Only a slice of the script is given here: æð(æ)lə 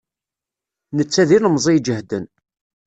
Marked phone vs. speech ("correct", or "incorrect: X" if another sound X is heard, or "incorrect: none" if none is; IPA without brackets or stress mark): incorrect: i